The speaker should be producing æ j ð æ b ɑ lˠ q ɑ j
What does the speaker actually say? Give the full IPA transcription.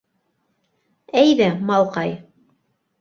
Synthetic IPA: æ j ð æ m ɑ lˠ q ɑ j